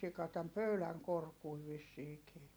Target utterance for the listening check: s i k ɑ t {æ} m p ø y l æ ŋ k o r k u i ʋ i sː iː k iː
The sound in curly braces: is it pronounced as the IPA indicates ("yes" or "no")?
yes